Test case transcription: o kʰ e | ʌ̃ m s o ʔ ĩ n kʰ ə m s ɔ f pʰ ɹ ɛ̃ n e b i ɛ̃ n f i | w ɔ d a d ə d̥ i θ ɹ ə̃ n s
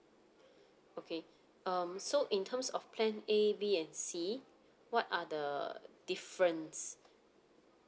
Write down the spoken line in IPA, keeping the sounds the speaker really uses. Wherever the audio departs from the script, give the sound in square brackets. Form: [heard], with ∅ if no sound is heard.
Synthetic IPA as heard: o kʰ e | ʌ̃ m s o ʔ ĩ n [tʰ] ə m s ɔ f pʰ [l] ɛ̃ n e b i ɛ̃ n [s] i | w ɔ [t] a d ə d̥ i [f] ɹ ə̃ n s